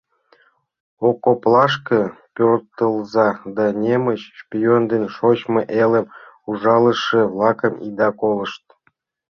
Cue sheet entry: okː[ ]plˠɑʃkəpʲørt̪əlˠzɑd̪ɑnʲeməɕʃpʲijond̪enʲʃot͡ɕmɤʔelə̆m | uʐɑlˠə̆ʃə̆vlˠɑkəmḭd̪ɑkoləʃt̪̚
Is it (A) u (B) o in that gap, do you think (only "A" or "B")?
B